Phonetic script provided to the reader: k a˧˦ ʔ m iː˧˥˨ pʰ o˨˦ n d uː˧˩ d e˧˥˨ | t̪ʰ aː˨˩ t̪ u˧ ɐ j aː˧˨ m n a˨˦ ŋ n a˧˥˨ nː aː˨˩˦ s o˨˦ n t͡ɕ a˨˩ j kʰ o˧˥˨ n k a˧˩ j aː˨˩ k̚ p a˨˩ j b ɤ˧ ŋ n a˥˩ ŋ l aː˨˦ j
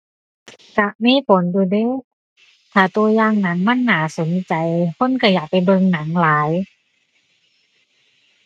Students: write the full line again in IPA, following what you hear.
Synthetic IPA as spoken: k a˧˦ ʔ m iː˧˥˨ pʰ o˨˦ n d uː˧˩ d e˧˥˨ | t̪ʰ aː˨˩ t̪ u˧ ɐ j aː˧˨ ŋ n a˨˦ ŋ m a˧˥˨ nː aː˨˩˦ s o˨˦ n t͡ɕ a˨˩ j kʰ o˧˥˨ n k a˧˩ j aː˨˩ k̚ p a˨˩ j b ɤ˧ ŋ n a˩˦ ŋ l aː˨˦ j